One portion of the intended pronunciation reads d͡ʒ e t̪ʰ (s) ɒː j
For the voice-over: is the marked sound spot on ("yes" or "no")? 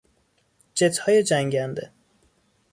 no